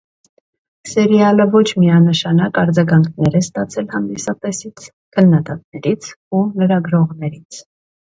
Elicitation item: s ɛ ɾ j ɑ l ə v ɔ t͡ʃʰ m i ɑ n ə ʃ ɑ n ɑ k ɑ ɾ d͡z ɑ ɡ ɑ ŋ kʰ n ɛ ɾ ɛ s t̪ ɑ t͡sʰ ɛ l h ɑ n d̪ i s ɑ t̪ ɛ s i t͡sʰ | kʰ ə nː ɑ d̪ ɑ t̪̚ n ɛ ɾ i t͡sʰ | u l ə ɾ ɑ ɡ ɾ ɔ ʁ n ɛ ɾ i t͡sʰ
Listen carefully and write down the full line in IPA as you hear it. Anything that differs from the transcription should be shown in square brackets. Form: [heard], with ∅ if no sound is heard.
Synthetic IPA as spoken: s ɛ ɾ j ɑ l ə v ɔ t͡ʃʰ m i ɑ n ə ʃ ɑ n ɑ k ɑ ɾ d͡z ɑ ɡ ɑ ŋ kʰ n ɛ ɾ ɛ s t̪ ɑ t͡sʰ ɛ l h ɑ n d̪ i s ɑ t̪ ɛ s i t͡sʰ | kʰ ə nː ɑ d̪ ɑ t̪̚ n ɛ ɾ i t͡sʰ | u l ə ɾ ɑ ɡ ɾ ɔ ʁ n ɛ ɾ i t͡sʰ